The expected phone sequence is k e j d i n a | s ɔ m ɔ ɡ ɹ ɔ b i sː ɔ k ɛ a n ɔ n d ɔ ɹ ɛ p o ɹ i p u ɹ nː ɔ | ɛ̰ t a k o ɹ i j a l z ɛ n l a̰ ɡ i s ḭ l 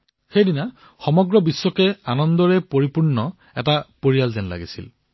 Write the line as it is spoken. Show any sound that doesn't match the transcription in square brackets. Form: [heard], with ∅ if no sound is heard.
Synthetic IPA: [x] e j d i n a | [x] ɔ m ɔ ɡ ɹ ɔ b i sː ɔ k ɛ a n ɔ n d ɔ ɹ ɛ p o ɹ i p u ɹ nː ɔ | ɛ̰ t a [p] o ɹ i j a l z ɛ n l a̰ ɡ i s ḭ l